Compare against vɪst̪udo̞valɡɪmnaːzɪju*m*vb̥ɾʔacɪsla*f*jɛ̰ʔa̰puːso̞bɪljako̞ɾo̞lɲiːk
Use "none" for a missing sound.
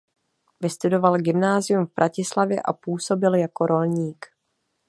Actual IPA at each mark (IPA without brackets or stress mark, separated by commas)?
m, v